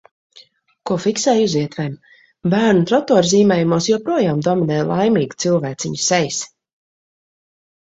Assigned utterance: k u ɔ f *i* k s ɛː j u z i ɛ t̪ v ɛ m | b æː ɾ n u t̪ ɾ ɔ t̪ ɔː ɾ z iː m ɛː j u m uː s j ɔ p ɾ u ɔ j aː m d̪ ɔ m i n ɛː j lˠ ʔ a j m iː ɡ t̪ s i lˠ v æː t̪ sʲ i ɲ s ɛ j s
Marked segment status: correct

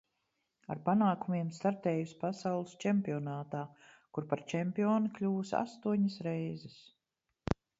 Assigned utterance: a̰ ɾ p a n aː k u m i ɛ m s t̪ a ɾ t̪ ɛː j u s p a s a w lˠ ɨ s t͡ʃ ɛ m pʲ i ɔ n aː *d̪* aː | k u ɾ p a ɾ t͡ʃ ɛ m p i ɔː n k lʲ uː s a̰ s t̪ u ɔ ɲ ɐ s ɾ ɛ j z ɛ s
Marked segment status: incorrect: t̪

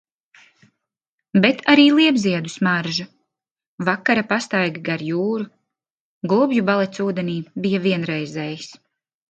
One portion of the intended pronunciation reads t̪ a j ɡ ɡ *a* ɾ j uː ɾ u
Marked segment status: correct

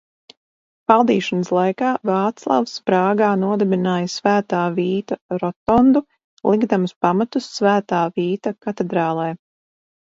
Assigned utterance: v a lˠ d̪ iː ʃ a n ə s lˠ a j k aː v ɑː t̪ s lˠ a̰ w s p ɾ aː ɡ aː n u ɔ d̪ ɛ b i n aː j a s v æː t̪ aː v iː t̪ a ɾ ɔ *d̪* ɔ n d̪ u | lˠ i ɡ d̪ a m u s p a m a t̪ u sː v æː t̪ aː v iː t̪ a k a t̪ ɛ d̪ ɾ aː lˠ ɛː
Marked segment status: incorrect: t̪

